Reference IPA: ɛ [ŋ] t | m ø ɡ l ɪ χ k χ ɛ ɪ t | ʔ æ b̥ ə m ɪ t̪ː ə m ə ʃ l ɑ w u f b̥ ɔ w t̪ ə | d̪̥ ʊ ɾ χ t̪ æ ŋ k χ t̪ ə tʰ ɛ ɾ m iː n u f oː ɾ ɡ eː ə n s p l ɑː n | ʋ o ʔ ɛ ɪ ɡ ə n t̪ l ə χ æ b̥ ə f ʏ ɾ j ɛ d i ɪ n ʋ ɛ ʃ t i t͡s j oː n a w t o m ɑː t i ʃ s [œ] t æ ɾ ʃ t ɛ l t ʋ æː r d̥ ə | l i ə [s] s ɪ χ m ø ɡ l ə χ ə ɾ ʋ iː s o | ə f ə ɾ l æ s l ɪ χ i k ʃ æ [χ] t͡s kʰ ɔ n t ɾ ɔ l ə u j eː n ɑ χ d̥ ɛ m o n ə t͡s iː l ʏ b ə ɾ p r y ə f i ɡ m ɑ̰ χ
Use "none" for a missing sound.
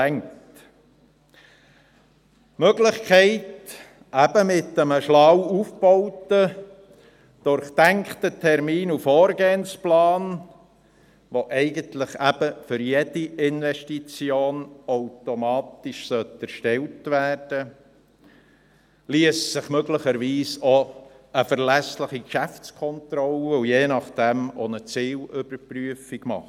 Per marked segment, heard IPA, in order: ŋ, œ, s, f

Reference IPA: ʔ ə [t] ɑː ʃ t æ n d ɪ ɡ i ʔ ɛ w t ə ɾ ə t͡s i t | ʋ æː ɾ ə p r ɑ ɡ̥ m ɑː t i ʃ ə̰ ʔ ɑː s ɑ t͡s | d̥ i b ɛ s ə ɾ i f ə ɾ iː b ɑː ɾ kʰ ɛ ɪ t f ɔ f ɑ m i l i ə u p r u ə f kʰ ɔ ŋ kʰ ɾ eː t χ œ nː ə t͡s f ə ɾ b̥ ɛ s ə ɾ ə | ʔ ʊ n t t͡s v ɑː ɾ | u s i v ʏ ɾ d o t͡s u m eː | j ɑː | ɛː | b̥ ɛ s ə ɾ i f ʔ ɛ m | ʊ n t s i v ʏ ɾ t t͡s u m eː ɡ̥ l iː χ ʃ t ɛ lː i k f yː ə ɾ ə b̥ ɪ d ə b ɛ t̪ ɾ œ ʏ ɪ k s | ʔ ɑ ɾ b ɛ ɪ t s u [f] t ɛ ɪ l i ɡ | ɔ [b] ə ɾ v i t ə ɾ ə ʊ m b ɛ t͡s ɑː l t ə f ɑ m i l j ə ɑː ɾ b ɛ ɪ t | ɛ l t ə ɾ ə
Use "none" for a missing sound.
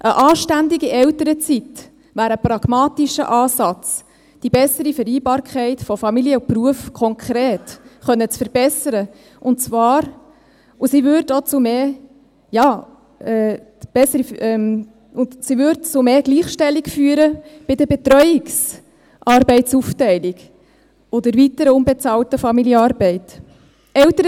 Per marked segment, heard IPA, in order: ʔ, f, d

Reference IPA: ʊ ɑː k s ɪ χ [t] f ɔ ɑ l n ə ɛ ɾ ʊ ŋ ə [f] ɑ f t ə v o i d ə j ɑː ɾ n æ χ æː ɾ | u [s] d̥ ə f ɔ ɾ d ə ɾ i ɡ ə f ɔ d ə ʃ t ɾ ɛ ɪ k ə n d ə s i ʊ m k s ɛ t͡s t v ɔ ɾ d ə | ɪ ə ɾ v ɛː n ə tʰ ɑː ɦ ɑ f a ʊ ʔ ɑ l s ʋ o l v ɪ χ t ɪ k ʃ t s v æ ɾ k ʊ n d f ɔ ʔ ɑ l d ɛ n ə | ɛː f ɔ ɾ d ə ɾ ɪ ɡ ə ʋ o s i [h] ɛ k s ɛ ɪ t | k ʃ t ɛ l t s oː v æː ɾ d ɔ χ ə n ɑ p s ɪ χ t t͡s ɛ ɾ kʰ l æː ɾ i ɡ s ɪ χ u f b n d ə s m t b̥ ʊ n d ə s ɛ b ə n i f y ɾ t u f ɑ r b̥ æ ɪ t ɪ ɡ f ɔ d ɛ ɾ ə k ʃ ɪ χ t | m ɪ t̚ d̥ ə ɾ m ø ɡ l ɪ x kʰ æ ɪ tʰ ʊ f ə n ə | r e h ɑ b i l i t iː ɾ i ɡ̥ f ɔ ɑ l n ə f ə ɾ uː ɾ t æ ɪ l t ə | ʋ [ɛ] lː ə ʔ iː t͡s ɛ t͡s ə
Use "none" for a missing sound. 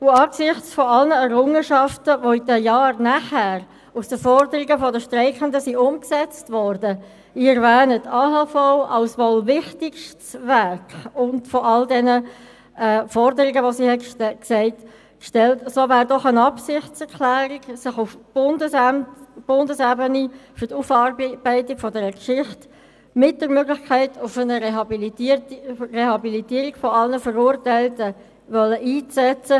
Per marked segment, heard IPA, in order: t͡s, ʃ, s, h, œ

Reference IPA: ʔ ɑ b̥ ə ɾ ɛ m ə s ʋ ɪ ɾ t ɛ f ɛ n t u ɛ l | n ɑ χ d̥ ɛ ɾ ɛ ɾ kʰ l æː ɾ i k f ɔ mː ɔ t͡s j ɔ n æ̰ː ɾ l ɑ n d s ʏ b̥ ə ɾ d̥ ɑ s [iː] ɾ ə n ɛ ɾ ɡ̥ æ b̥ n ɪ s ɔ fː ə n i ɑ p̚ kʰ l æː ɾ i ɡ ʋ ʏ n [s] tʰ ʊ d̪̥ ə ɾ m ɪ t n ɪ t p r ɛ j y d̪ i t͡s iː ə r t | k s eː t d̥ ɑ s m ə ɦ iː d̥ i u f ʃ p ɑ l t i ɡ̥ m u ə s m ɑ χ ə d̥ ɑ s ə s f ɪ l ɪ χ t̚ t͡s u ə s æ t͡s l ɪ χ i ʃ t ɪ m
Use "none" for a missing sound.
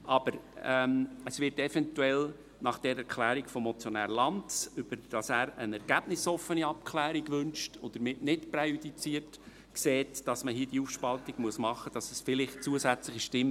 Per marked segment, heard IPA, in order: æː, ʃ

